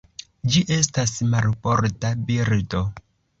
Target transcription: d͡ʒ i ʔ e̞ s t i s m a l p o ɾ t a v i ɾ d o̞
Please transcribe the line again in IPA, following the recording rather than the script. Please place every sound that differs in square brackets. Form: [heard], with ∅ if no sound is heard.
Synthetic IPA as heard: d͡ʒ i ʔ e̞ s t [a] s m a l p o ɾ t a [b] i ɾ d o̞